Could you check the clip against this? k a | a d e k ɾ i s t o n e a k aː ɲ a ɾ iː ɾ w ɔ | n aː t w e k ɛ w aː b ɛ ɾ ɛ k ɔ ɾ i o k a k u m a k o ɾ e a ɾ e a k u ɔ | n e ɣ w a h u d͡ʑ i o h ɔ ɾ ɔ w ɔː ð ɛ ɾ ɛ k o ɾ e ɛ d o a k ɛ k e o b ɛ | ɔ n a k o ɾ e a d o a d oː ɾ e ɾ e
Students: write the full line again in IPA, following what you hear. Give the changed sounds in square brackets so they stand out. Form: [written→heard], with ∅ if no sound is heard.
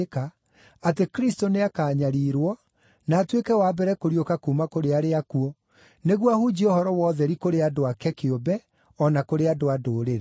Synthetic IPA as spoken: k a | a [d→t] e k ɾ i s t o n e a k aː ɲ a ɾ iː ɾ w ɔ | n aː t w e k ɛ w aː b ɛ ɾ ɛ k [ɔ→o] ɾ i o k a k u m a k o ɾ e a ɾ e a k u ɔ | n e ɣ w a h u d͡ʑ i o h ɔ ɾ ɔ w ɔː ð ɛ ɾ [ɛ→i] k o ɾ e [ɛ→a] d o a k ɛ k e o b ɛ | ɔ n a k o ɾ e a d o a d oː ɾ e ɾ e